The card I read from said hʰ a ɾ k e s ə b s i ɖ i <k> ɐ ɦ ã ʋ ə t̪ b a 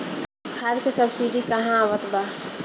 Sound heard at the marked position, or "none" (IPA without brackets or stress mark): k